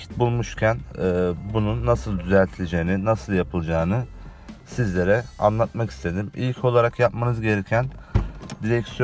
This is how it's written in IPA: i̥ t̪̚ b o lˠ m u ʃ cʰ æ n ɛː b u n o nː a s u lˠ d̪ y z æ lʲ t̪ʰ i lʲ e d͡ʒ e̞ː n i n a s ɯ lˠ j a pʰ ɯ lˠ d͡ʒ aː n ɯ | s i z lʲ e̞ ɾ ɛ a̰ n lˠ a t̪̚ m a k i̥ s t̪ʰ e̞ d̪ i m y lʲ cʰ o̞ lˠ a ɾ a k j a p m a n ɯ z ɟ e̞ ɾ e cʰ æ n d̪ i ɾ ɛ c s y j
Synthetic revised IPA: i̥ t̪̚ b u lˠ m u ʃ cʰ æ n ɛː b u n u nː a s ɯ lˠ d̪ y z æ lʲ t̪ʰ i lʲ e d͡ʒ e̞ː n i n a s ɯ lˠ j a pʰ ɯ lˠ d͡ʒ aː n ɯ | s i z lʲ e̞ ɾ ɛ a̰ n lˠ a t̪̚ m a k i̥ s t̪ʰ e̞ d̪ i m i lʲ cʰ o̞ lˠ a ɾ a k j a p m a n ɯ z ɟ e̞ ɾ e cʰ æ n d̪ i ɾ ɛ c s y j

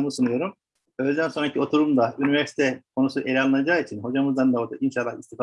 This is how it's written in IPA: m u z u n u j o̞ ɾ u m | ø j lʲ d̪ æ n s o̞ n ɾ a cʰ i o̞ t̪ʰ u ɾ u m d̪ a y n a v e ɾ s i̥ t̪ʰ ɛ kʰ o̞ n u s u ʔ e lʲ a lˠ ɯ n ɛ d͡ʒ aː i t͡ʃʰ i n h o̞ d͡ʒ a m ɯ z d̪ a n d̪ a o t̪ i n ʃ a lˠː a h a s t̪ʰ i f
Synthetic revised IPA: m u s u n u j o̞ ɾ u m | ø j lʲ d̪ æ n s o̞ n ɾ a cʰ i o̞ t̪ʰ u ɾ u m d̪ a y n i v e ɾ s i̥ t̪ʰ ɛ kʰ o̞ n u s u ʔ e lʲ a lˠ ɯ n a d͡ʒ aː i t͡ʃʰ i n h o̞ d͡ʒ a m ɯ z d̪ a n d̪ a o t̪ i n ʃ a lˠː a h i s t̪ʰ i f

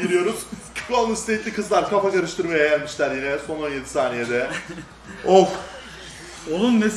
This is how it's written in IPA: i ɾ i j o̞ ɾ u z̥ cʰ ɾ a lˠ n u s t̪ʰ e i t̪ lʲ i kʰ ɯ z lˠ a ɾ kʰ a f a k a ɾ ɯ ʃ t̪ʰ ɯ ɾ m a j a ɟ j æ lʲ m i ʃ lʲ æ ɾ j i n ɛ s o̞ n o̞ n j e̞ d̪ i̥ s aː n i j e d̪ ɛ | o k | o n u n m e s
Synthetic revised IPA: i ɾ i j o̞ ɾ u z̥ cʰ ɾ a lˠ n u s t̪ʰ e i t̪ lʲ i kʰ ɯ z lˠ a ɾ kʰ a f a k a ɾ ɯ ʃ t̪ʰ ɯ ɾ m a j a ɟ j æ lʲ m i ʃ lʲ æ ɾ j i n ɛ s o̞ n o̞ n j e̞ d̪ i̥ s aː n i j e d̪ ɛ | o k | o n u n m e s

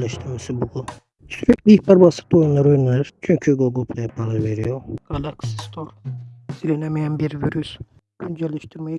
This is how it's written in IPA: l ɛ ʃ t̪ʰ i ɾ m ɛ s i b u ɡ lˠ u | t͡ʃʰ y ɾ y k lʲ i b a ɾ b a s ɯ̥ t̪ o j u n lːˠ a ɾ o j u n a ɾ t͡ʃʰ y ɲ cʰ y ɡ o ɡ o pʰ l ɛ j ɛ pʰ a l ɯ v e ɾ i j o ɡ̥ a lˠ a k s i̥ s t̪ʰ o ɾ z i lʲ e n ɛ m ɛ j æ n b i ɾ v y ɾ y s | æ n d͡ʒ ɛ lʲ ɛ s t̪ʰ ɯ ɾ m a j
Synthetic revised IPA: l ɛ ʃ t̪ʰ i ɾ m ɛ s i b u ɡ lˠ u | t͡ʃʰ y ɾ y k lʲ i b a ɾ b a s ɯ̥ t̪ o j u n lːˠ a ɾ o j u n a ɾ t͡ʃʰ y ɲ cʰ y ɡ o ɡ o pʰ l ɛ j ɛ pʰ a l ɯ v e ɾ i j o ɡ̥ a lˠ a k s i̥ s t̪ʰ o ɾ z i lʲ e n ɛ m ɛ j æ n b i ɾ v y ɾ y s | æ n d͡ʒ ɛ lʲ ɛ ʃ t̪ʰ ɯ ɾ m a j

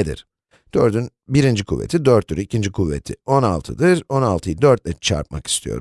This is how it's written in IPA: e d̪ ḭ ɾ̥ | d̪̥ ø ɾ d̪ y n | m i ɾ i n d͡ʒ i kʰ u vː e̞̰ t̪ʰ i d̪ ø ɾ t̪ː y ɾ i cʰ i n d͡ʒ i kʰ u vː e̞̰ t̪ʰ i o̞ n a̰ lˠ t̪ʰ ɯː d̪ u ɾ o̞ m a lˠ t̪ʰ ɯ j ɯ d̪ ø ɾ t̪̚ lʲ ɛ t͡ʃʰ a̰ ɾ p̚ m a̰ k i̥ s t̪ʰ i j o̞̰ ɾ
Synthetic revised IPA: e d̪ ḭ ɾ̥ | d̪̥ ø ɾ d̪ y n | b i ɾ i n d͡ʒ i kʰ u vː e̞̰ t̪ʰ i d̪ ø ɾ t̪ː y ɾ i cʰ i n d͡ʒ i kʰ u vː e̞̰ t̪ʰ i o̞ n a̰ lˠ t̪ʰ ɯ d̪ ɯ ɾ o̞ n a lˠ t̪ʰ ɯ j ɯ d̪ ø ɾ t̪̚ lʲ ɛ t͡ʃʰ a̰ ɾ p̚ m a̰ k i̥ s t̪ʰ i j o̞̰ ɾ

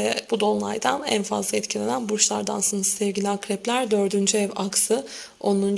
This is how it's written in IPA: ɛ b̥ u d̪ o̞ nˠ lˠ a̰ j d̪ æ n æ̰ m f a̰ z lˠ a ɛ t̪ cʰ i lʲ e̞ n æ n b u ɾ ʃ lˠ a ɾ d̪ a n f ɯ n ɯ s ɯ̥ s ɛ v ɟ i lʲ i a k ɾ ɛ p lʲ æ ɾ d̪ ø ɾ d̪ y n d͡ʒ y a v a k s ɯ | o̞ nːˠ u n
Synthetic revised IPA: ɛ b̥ u d̪ o̞ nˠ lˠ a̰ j d̪ a n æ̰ n f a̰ z lˠ a ɛ t̪ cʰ i lʲ e̞ n æ n b u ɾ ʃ lˠ a ɾ d̪ a n s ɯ n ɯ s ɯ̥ s ɛ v ɟ i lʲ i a k ɾ ɛ p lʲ æ ɾ d̪ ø ɾ d̪ y n d͡ʒ y ɛ v a k s ɯ | o̞ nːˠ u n

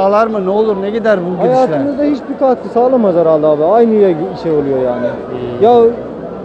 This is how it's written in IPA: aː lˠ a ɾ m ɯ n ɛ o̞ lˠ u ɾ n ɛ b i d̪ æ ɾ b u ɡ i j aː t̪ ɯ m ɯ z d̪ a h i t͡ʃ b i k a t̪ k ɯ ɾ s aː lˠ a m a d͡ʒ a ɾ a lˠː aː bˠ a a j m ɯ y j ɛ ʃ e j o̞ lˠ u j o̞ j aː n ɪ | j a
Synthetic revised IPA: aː lˠ a ɾ m ɯ n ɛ o̞ lˠ u ɾ n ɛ ɟ i d̪ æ ɾ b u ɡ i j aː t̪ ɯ m ɯ z d̪ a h i t͡ʃ b i k a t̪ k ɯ s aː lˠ a m a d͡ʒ a ɾ a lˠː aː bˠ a a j n ɯ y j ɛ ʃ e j o̞ lˠ u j o̞ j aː n ɪ | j a

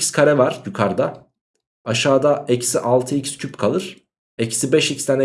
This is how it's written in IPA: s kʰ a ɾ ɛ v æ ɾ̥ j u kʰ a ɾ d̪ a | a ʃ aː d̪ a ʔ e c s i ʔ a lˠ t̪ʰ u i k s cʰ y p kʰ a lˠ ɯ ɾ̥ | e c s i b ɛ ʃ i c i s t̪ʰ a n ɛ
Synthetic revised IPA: s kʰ a ɾ ɛ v a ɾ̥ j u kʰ a ɾ d̪ a | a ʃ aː d̪ a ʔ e c s i ʔ a lˠ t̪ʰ ɯ i c s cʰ y p kʰ a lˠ ɯ ɾ̥ | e c s i b ɛ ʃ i c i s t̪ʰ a n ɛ

